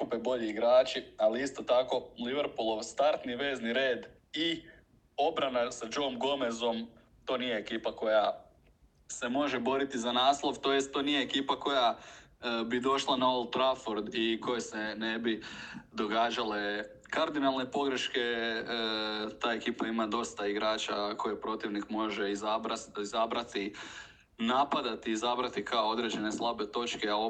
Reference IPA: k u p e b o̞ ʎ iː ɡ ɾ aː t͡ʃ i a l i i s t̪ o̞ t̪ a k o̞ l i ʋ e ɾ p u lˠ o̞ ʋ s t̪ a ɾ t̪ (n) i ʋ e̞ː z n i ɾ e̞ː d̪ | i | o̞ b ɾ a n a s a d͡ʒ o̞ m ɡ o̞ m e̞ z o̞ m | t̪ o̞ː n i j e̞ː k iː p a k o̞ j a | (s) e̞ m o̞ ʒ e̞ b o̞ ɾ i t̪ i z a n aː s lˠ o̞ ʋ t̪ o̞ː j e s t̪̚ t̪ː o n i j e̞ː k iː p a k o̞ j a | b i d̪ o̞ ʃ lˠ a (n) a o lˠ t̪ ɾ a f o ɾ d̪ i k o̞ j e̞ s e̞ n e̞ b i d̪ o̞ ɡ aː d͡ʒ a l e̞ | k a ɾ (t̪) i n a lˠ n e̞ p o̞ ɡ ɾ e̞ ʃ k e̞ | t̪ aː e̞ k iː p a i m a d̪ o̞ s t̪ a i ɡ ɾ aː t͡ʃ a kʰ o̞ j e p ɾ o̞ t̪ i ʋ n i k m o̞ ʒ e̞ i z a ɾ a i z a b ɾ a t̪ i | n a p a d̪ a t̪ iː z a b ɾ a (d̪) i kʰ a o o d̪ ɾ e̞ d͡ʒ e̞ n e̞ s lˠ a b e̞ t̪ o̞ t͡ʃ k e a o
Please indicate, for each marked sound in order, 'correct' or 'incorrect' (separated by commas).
correct, correct, correct, incorrect, incorrect